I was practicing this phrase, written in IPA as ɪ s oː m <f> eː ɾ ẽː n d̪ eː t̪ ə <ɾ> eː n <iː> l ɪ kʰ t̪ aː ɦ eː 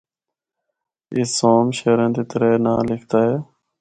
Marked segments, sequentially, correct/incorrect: incorrect: ʃ, correct, incorrect: aː

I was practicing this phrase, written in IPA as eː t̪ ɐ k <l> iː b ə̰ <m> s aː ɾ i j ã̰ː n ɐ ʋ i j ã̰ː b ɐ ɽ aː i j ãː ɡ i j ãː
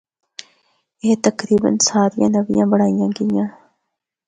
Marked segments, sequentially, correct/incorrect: incorrect: ɾ, incorrect: n

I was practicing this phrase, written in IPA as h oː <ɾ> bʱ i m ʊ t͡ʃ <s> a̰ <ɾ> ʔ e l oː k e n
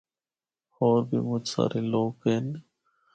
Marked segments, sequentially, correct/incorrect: correct, correct, correct

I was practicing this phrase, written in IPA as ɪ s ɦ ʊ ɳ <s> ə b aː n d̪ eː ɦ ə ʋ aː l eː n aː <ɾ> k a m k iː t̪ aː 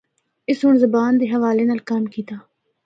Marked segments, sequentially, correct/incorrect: incorrect: z, incorrect: l

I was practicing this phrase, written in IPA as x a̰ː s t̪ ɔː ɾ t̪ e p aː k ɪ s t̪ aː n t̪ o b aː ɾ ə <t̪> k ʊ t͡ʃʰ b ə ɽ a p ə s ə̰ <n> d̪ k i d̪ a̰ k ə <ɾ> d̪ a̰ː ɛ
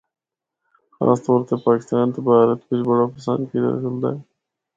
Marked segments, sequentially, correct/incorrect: correct, correct, incorrect: l

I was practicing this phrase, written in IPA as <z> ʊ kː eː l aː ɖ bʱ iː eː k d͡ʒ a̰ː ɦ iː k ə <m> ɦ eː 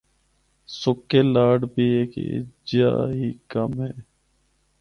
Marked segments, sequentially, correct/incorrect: incorrect: s, correct

